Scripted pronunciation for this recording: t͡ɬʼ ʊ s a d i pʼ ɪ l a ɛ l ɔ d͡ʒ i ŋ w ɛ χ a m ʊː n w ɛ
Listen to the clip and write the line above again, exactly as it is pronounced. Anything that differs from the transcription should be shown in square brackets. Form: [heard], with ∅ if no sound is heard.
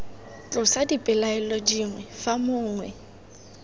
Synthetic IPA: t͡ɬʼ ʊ s a d i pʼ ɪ l a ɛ l ɔ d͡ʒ i ŋ w ɛ [f] a m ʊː [ŋ] w ɛ